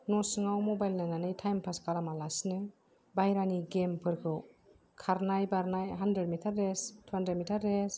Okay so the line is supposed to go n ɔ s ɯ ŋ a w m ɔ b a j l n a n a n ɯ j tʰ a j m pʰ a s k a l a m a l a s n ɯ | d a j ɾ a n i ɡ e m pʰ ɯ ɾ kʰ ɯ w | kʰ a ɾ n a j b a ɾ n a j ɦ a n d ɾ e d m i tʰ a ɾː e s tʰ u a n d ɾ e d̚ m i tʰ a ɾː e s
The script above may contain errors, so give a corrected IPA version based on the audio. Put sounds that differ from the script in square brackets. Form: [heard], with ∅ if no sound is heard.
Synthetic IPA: n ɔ s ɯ ŋ a w m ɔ b a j l n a n a n ɯ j tʰ a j m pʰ a s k a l a m a l a s n ɯ | [b] a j ɾ a n i ɡ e m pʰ ɯ ɾ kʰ ɯ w | kʰ a ɾ n a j b a ɾ n a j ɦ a n d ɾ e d m i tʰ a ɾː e s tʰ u a n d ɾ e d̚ m i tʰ a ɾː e s